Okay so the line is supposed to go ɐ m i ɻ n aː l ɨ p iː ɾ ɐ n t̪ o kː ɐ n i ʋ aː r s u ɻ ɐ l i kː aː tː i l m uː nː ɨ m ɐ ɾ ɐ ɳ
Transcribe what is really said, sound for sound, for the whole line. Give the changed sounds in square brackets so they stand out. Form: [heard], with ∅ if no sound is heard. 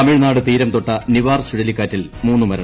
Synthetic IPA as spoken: ɐ m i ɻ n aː [ɽ] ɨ p iː ɾ ɐ [m] t̪ o [ʈː] ɐ n i ʋ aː r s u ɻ ɐ l i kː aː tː i l m uː nː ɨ m ɐ ɾ ɐ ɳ